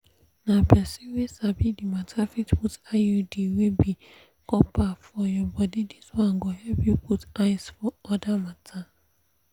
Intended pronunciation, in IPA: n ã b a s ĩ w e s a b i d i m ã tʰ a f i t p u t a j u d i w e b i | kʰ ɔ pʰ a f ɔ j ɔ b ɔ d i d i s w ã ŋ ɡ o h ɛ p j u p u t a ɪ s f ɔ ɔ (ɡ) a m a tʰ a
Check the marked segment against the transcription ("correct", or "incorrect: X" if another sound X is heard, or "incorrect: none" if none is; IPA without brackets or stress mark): incorrect: d